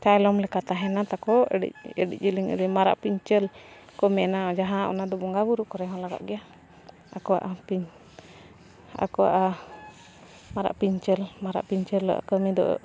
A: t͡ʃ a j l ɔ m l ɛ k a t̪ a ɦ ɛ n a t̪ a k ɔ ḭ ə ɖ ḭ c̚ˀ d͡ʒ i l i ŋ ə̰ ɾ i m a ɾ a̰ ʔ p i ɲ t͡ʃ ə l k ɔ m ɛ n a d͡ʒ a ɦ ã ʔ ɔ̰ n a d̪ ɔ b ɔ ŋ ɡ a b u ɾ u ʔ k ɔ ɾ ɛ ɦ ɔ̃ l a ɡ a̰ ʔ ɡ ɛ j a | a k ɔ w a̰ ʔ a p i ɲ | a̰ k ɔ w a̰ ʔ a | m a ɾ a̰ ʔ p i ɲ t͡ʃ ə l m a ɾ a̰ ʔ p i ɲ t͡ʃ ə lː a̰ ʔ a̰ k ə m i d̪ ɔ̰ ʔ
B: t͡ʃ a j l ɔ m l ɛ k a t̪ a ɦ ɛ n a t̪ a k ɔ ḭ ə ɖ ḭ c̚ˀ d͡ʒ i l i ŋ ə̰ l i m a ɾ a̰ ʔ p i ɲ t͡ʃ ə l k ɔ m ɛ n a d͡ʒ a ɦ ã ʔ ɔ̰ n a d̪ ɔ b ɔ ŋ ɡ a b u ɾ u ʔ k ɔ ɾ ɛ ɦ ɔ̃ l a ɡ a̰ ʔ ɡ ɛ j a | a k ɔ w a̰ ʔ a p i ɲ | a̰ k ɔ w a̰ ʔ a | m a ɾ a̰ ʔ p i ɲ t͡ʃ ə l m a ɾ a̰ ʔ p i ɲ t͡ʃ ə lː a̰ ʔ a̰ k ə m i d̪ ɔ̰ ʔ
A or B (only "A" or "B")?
A